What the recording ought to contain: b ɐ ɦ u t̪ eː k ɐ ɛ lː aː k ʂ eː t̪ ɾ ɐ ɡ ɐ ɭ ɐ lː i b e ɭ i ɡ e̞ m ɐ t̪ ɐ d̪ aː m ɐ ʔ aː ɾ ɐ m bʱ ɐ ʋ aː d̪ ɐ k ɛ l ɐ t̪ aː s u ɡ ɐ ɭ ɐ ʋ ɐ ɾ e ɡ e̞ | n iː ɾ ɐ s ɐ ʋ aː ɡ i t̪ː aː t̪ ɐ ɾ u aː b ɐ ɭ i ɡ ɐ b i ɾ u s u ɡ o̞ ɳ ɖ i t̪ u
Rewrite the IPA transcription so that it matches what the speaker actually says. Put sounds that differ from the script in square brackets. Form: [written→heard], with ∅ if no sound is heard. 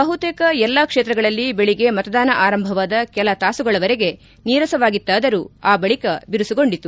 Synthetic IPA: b ɐ ɦ u t̪ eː k ɐ ɛ lː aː k ʂ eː t̪ ɾ ɐ ɡ ɐ ɭ ɐ lː i b e ɭ i ɡ e̞ m ɐ t̪ ɐ d̪ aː [m→n] ɐ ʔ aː ɾ ɐ m bʱ ɐ ʋ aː d̪ ɐ k ɛ l ɐ t̪ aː s u ɡ ɐ ɭ ɐ ʋ ɐ ɾ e ɡ e̞ | n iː ɾ ɐ s ɐ ʋ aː ɡ i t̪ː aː [t̪→d̪] ɐ ɾ u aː b ɐ ɭ i [ɡ→k] ɐ b i ɾ u s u ɡ o̞ ɳ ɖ i t̪ u

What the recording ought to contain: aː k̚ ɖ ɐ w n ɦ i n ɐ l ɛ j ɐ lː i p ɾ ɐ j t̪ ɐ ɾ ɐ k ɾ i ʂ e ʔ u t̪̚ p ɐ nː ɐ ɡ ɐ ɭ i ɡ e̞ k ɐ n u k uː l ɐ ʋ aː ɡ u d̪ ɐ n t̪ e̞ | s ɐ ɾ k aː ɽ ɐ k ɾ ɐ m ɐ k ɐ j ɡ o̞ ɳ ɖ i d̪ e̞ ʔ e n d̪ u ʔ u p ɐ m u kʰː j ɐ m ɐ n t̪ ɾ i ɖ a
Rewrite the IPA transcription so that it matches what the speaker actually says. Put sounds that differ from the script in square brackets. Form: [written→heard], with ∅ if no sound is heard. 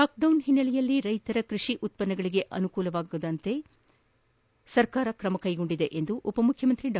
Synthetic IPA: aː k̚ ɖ ɐ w n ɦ i [n→nː] ɐ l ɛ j ɐ lː i [p→∅] ɾ ɐ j t̪ ɐ ɾ ɐ k ɾ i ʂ [e→i] ʔ u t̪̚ p ɐ nː ɐ ɡ ɐ ɭ i ɡ e̞ [k→ʔ] ɐ n u k uː l ɐ ʋ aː ɡ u d̪ ɐ n t̪ e̞ | s ɐ ɾ k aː [ɽ→ɾ] ɐ k ɾ ɐ m ɐ k ɐ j ɡ o̞ ɳ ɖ i d̪ e̞ ʔ e n d̪ u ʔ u p ɐ m u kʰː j ɐ m ɐ n t̪ ɾ i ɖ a

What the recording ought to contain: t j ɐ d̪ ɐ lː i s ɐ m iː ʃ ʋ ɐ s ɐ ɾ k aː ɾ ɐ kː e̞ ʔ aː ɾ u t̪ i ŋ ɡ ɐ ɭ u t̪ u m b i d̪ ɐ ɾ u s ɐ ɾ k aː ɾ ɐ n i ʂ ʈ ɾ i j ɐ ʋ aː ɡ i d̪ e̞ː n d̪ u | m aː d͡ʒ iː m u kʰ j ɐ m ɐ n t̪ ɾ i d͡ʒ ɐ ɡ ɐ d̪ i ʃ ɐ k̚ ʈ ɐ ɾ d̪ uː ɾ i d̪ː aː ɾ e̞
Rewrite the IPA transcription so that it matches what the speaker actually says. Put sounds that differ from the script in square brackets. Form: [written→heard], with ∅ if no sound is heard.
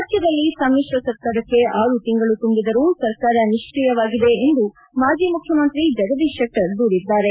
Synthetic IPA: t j ɐ d̪ ɐ lː i s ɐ m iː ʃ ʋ ɐ s ɐ ɾ k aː ɾ ɐ kː e̞ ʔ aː ɾ u t̪ i ŋ ɡ ɐ ɭ u t̪ u m b i d̪ ɐ ɾ u s ɐ ɾ k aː ɾ ɐ n i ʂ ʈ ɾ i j ɐ ʋ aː ɡ i d̪ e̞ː n d̪ u | m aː d͡ʒ iː m u kʰ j ɐ m ɐ n t̪ ɾ i d͡ʒ ɐ ɡ ɐ d̪ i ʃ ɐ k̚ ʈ ɐ ɾ d̪ uː ɾ i d̪ː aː ɾ e̞

